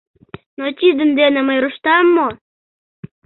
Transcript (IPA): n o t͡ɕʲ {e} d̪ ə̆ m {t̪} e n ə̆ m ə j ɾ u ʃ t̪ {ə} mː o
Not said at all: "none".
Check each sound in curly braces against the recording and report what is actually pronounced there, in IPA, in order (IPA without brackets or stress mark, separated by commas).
i, d̪, ɑ